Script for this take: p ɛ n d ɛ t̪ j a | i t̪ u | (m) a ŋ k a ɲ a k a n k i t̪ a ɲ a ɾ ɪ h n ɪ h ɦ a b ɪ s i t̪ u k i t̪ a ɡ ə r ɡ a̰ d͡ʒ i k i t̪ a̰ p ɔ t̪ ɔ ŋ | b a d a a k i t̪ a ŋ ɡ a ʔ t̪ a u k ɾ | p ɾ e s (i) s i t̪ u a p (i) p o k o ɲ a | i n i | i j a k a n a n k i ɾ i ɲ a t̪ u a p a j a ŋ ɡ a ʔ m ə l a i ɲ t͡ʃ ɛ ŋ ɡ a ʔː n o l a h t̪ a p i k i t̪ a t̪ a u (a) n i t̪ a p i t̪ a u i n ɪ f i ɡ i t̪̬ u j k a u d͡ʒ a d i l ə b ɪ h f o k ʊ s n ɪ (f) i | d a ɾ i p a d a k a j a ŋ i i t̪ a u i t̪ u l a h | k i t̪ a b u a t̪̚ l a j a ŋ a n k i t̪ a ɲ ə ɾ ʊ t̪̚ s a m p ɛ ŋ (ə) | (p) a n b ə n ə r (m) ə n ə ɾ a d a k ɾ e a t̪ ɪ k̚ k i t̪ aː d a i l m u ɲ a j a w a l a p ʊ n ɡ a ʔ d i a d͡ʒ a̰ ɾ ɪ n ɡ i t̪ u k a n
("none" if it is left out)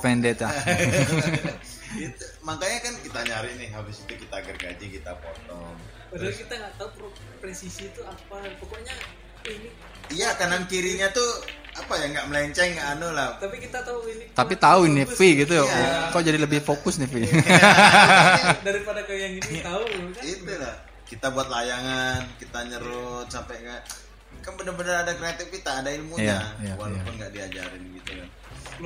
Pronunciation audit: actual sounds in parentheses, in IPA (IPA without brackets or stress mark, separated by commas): m, i, a, i, f, a, k, b